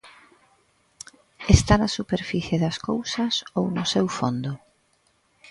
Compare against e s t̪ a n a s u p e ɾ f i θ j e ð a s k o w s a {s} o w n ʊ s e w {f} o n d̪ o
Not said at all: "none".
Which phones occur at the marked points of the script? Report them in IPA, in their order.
s, f

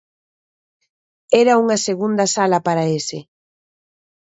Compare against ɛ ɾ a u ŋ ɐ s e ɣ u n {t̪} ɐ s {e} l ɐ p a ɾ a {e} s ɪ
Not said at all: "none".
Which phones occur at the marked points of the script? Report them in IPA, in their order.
d̪, a, e

